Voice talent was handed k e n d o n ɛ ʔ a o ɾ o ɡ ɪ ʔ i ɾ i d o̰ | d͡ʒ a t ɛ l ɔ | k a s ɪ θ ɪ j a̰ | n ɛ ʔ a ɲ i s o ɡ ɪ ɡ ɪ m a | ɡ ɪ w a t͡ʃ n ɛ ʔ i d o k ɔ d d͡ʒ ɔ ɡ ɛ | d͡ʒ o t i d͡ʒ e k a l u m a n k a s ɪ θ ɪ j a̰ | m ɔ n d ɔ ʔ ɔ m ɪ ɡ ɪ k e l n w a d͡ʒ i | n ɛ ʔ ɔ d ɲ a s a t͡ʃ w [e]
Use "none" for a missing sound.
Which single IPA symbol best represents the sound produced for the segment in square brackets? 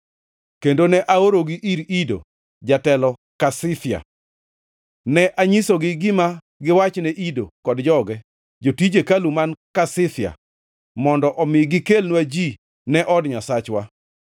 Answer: a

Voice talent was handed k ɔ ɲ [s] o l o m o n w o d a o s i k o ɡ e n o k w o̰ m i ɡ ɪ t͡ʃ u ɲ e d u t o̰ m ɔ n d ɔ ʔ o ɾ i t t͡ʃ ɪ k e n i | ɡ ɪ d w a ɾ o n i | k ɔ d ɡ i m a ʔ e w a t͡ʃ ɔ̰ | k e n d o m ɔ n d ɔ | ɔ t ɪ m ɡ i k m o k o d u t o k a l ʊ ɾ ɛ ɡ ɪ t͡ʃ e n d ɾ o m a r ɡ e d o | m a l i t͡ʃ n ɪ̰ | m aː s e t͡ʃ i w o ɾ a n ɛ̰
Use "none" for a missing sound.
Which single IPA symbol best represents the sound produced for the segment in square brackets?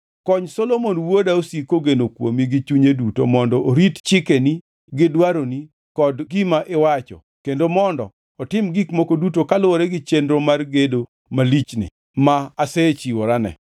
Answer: s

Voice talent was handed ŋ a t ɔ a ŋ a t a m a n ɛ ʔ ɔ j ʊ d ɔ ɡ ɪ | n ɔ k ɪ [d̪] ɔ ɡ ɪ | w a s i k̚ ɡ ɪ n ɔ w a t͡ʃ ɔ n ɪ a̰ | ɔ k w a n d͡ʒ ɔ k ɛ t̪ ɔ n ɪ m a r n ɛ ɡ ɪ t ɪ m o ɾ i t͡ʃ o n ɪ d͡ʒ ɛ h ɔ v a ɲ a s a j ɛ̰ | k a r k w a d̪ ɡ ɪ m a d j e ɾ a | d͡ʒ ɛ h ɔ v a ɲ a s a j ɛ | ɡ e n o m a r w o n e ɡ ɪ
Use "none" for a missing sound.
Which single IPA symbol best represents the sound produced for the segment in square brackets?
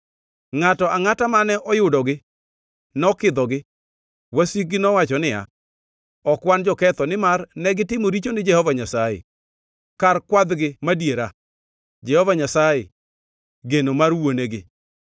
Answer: d̪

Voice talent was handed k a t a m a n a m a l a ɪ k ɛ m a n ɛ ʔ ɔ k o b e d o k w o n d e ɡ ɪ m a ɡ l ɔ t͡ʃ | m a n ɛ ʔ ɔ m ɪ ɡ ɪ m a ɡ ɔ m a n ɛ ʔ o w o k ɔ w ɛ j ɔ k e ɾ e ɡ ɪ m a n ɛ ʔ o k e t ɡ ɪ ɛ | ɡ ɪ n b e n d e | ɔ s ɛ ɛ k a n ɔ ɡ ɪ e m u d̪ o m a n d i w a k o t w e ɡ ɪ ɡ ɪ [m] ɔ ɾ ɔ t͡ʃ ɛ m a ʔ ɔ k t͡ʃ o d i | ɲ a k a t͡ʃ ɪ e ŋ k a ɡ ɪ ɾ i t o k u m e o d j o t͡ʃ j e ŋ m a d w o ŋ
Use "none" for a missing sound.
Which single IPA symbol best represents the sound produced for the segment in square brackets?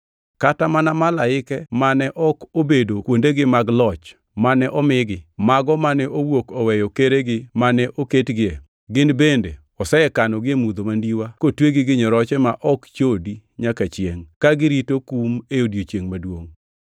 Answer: ɲ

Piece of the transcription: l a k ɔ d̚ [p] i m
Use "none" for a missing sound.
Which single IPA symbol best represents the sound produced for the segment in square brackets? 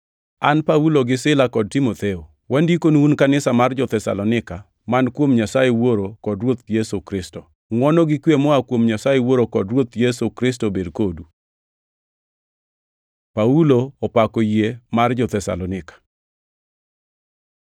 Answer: t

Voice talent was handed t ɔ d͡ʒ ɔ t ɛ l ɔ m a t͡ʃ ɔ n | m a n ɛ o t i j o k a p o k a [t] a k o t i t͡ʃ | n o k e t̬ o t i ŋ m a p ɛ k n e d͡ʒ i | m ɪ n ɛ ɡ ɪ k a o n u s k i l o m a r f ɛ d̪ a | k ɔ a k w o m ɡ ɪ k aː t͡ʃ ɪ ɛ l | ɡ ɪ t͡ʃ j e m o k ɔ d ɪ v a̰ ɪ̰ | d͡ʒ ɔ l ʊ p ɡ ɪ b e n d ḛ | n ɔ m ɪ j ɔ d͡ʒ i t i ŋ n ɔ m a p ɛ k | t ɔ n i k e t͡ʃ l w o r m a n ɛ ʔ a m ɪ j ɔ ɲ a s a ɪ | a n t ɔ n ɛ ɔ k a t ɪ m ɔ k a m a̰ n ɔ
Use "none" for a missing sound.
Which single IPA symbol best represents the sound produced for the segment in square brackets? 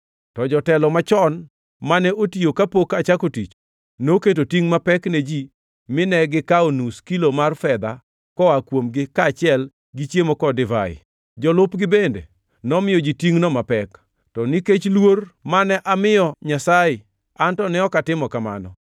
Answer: t͡ʃ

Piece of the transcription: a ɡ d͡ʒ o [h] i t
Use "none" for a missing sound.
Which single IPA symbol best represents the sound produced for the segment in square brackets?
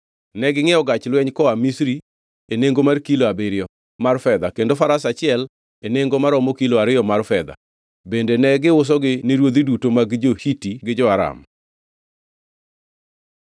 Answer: h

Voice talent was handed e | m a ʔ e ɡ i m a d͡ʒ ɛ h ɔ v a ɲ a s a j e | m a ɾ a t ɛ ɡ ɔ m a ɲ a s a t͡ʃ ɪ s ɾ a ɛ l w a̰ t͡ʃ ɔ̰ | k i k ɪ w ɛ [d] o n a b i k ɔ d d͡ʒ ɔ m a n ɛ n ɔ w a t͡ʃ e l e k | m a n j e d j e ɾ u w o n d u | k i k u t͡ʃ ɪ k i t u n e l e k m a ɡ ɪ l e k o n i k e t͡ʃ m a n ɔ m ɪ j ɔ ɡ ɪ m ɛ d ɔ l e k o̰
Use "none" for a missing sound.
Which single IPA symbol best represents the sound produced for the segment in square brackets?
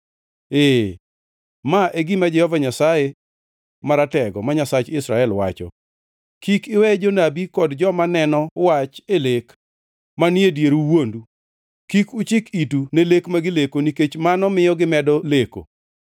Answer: d͡ʒ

